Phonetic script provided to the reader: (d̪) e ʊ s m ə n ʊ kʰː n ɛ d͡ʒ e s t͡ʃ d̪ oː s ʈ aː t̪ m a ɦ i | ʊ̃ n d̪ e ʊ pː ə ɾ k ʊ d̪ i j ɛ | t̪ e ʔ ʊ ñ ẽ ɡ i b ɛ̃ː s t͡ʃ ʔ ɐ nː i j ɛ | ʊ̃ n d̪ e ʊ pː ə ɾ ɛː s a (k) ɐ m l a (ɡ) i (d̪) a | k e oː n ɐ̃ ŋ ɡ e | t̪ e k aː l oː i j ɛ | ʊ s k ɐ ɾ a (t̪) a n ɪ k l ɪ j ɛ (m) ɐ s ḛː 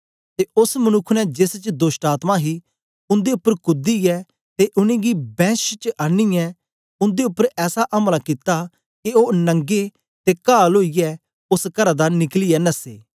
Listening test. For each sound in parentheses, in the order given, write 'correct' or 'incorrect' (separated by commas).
incorrect, incorrect, incorrect, incorrect, incorrect, incorrect